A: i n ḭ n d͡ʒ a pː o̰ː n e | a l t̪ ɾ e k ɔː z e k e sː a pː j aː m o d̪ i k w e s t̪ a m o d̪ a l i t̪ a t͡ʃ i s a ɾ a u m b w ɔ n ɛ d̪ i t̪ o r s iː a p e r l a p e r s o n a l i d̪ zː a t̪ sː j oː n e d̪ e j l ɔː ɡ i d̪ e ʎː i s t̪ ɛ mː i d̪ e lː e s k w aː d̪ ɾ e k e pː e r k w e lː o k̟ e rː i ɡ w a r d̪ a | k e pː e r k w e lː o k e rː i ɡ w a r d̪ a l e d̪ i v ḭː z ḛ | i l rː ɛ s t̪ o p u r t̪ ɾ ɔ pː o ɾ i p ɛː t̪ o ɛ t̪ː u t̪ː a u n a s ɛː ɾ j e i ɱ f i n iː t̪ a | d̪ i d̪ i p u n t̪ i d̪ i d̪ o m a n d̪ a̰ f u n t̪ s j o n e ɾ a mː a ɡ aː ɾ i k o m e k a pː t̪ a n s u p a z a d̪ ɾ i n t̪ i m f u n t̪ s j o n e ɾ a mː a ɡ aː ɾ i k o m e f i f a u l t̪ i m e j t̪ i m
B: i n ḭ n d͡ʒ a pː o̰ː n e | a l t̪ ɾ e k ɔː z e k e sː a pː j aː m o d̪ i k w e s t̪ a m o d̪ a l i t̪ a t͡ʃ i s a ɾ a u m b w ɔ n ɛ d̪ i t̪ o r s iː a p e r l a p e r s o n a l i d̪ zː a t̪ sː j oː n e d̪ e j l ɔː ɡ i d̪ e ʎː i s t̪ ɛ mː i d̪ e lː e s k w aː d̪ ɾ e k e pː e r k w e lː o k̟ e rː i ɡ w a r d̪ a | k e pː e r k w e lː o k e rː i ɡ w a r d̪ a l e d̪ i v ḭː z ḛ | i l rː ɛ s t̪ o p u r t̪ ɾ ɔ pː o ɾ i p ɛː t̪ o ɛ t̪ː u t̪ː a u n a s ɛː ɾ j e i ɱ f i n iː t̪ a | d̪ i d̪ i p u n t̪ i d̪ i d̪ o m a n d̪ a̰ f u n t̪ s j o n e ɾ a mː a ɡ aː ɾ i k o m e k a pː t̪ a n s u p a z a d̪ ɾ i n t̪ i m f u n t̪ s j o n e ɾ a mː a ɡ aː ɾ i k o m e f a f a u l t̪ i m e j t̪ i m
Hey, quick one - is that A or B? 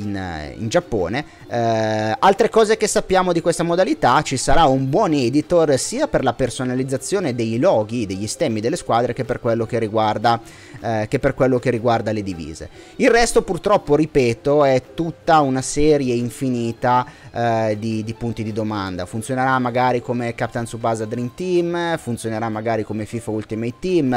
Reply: A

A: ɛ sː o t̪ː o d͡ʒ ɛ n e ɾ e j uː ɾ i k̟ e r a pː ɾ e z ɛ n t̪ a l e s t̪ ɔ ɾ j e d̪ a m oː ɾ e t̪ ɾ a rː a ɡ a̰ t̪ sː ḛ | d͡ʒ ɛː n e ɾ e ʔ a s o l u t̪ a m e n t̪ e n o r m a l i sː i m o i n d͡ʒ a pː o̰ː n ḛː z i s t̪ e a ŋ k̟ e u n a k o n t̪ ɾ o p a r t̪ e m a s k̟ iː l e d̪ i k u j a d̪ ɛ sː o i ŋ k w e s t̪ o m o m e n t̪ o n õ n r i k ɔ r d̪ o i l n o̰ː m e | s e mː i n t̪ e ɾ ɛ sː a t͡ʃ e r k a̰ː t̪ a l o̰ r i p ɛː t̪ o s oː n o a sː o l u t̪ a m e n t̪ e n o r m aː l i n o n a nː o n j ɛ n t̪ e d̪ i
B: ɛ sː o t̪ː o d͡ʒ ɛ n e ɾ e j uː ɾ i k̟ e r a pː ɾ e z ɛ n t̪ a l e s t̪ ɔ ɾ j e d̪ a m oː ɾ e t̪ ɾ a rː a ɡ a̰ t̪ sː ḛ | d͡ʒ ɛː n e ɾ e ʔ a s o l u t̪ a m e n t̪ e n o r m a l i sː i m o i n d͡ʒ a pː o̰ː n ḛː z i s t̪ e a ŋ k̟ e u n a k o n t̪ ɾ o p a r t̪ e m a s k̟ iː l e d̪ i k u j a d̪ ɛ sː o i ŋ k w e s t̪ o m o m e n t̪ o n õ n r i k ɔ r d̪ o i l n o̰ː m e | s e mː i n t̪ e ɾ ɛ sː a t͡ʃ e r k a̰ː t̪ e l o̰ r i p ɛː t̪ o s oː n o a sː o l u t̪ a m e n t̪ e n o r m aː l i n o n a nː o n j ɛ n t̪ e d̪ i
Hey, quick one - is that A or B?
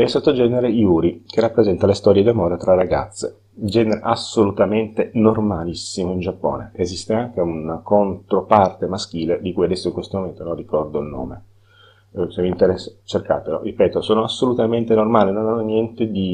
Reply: B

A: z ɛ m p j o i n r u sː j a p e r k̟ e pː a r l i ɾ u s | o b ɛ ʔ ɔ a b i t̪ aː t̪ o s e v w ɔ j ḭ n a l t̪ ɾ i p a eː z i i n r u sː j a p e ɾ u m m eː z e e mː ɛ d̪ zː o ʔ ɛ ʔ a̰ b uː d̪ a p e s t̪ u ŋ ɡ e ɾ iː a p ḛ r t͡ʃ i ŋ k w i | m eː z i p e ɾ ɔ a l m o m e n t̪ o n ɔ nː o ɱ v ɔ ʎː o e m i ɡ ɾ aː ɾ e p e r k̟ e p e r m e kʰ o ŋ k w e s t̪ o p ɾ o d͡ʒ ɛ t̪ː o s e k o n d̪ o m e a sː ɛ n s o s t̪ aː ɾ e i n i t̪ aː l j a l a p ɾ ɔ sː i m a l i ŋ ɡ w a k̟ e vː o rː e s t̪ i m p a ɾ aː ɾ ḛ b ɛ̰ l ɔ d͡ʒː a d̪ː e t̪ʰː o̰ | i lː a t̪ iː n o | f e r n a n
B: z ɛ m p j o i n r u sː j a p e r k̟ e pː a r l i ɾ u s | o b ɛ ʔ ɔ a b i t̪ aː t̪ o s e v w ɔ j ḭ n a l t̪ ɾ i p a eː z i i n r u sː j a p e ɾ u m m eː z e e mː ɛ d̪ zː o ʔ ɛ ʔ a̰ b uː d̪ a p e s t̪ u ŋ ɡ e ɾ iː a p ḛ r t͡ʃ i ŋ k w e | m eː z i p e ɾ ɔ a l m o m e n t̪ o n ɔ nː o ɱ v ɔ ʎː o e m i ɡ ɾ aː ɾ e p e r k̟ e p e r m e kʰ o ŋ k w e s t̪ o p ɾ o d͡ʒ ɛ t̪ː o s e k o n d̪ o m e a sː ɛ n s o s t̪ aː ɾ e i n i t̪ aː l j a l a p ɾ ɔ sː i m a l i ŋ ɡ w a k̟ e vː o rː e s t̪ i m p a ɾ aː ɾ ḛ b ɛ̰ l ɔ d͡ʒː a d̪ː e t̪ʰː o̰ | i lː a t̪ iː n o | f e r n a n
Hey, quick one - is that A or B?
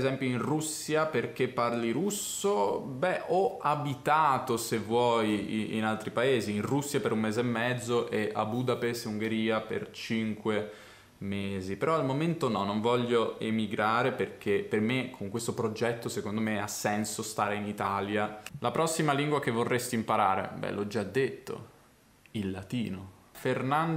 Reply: B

